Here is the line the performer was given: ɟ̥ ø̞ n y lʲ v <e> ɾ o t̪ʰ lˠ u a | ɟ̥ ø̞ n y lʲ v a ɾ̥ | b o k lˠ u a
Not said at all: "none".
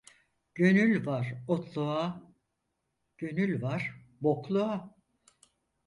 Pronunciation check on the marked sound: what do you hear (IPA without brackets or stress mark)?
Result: a